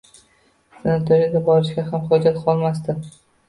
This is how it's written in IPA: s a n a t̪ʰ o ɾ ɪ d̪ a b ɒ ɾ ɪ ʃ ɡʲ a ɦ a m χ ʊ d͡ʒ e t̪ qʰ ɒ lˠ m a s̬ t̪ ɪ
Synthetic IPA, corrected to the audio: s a n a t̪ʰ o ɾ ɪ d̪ a b ɒ ɾ ɪ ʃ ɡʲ a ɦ a m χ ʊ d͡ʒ a t̪ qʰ ɒ lˠ m a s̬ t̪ ɪ